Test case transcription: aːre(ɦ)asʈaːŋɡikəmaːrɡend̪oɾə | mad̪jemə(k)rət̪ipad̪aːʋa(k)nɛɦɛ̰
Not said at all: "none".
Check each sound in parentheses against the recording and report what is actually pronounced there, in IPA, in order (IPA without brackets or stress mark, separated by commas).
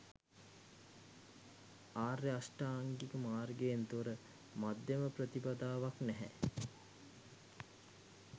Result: none, p, k